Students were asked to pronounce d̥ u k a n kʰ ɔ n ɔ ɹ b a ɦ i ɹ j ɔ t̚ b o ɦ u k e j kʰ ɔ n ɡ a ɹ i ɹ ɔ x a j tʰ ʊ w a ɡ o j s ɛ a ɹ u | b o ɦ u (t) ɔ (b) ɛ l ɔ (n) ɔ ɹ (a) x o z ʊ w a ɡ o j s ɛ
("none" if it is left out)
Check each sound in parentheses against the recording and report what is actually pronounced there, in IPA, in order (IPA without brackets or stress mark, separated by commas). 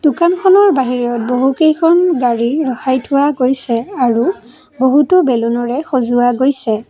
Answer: t, b, n, ɛ